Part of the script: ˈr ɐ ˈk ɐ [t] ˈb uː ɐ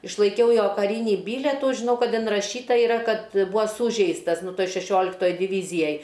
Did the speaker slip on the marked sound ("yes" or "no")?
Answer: no